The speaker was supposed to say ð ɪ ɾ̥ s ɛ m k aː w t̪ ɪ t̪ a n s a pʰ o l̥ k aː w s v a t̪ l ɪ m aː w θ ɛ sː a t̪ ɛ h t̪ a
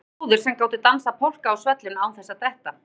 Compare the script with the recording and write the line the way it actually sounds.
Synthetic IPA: ð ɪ ɾ̥ s ɛ m k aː w t̪ ɪ t̪ a n s a pʰ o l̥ k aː w s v ɛ t̪ l ɪ n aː w θ ɛ sː a t̪ ɛ h t̪ a